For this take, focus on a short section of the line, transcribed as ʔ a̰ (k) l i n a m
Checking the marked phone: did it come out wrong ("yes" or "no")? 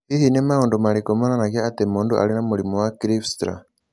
yes